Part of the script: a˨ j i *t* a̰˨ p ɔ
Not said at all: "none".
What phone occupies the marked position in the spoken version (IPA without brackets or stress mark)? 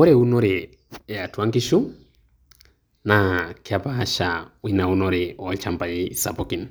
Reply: s